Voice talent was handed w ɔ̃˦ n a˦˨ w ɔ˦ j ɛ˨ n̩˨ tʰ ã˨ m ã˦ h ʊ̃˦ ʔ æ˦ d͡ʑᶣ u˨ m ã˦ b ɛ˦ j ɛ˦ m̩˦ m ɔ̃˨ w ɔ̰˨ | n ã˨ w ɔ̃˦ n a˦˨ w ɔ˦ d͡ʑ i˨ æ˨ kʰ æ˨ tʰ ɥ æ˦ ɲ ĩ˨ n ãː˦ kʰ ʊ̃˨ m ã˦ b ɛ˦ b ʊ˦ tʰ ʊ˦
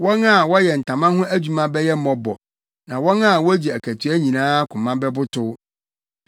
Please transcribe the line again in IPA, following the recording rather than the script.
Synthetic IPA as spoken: w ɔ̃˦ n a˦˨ w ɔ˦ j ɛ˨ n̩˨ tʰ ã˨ m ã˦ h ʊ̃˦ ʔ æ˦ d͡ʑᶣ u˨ m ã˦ b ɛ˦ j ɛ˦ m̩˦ m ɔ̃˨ b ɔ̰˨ | n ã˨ w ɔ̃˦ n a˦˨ w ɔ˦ d͡ʑ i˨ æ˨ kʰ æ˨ tʰ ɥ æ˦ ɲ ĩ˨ n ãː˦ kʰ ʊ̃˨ m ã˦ b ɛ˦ b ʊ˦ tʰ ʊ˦

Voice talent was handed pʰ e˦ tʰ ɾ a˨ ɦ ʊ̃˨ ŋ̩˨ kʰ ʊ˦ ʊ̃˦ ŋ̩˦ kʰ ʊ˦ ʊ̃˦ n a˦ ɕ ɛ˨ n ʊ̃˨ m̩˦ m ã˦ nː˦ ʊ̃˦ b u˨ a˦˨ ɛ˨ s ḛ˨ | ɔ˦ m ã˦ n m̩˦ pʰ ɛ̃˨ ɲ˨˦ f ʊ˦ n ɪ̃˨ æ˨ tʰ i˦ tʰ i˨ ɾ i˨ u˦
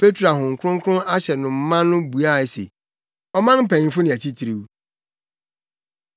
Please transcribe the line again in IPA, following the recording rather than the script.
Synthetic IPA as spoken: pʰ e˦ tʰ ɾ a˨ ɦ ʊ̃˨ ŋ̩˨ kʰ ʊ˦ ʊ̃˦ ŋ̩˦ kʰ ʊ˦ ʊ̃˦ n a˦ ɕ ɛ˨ n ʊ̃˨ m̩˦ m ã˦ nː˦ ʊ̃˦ b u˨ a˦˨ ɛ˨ s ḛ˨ | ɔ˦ m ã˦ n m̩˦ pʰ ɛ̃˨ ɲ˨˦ f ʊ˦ n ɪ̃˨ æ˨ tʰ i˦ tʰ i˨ ɾ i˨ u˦

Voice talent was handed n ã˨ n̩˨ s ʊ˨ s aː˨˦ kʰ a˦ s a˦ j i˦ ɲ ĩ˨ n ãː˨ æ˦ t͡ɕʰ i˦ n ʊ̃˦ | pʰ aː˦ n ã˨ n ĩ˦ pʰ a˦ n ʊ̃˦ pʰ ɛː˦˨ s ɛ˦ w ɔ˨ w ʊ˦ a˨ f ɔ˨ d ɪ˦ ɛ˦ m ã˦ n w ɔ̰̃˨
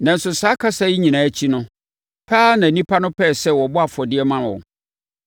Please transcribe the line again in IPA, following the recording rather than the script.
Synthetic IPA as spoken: n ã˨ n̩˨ s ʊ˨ s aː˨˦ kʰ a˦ s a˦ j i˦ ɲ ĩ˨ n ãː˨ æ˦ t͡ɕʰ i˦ n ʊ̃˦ | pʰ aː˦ n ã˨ n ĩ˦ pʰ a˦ n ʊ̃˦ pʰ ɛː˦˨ s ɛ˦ w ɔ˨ b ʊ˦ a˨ f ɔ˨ d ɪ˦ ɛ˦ m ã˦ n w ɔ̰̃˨

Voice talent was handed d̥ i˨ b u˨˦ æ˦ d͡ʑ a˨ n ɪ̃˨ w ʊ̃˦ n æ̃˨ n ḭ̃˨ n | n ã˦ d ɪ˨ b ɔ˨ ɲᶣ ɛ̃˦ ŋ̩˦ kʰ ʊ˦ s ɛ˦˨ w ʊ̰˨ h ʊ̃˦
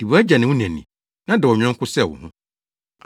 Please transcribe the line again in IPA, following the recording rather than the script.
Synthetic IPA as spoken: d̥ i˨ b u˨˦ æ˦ d͡ʑ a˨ n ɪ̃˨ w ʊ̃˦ n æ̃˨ n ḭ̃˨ | n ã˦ d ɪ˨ w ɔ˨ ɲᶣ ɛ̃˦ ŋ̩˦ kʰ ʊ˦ s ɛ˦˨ w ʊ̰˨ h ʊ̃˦

